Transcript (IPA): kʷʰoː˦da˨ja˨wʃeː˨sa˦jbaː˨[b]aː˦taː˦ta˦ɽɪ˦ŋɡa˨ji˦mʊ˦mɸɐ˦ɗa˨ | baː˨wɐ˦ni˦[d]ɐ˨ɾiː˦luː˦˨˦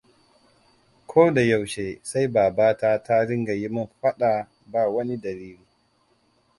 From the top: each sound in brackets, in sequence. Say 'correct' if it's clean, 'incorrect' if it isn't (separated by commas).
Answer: correct, correct